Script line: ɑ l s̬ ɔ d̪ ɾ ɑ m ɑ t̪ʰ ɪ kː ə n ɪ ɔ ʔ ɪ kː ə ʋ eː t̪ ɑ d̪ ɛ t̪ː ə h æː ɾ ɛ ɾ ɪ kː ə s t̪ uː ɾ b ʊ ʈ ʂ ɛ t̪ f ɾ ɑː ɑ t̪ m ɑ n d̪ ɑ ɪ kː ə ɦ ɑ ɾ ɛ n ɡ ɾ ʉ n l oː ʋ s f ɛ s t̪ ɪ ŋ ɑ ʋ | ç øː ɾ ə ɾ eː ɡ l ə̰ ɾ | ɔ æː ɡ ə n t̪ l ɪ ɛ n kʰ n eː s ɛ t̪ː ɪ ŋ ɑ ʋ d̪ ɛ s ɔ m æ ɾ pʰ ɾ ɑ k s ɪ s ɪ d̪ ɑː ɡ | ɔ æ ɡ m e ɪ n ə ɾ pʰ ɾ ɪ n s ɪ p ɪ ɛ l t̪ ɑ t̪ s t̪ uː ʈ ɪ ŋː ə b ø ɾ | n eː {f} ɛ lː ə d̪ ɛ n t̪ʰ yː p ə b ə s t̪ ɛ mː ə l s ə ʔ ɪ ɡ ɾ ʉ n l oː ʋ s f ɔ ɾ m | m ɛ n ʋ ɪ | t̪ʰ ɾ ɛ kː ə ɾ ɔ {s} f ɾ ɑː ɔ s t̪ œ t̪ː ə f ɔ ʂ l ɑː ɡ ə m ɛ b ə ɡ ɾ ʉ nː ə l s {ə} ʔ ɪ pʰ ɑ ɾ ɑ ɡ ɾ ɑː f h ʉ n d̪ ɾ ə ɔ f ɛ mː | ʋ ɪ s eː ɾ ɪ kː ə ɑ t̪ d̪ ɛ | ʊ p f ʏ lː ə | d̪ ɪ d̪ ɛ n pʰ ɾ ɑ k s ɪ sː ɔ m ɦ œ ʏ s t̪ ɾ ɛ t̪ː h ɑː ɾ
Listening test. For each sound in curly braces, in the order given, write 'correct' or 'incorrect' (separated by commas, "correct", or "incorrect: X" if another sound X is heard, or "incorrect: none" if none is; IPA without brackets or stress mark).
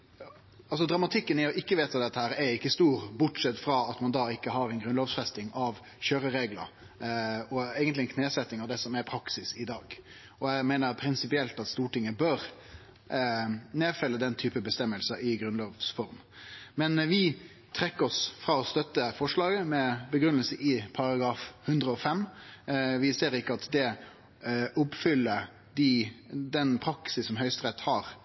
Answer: correct, correct, correct